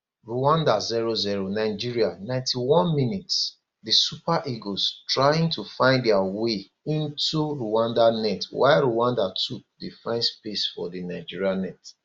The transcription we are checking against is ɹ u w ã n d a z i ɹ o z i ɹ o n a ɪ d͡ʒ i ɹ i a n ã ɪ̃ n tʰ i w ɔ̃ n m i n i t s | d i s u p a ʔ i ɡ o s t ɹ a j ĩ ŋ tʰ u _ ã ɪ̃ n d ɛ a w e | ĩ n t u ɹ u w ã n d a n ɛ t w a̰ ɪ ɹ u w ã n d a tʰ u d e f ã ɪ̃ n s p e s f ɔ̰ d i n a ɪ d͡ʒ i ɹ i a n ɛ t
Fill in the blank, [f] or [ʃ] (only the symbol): f